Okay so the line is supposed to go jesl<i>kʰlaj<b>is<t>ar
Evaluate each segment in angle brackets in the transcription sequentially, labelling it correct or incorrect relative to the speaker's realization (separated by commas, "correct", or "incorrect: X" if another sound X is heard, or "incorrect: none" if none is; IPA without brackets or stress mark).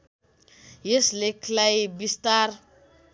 incorrect: e, correct, correct